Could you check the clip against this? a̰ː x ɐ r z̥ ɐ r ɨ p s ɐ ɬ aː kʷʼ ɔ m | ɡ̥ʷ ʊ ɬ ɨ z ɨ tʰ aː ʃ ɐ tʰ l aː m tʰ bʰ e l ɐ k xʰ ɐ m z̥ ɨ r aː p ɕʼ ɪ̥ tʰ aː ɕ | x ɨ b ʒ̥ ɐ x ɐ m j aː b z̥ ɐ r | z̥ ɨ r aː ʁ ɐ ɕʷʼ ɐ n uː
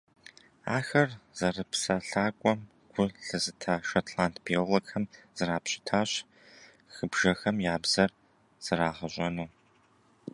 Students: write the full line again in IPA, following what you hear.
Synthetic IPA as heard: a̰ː x ɐ r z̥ ɐ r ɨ p s ɐ ɬ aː kʷʼ ɔ m | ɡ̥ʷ ʊ ɬ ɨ z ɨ tʰ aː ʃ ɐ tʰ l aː n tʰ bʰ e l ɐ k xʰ ɐ m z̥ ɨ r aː p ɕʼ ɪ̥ tʰ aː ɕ | x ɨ b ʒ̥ ɐ x ɐ m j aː b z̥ ɐ r | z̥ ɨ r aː ʁ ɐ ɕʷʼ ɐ n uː